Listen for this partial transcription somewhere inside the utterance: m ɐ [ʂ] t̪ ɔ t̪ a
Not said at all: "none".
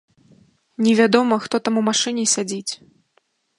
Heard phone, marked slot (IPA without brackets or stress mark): x